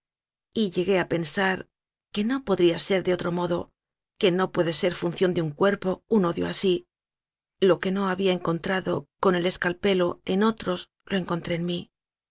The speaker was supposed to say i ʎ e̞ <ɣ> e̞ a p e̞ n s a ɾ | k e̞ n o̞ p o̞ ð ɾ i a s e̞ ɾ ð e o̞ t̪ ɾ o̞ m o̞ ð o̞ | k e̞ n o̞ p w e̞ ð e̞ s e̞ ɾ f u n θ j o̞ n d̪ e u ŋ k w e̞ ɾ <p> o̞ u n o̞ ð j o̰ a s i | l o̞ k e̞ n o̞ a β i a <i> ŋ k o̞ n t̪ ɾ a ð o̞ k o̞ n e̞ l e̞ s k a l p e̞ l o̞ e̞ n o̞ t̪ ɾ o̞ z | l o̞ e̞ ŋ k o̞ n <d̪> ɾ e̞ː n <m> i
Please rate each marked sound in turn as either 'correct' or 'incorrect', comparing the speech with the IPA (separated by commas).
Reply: correct, correct, incorrect, incorrect, correct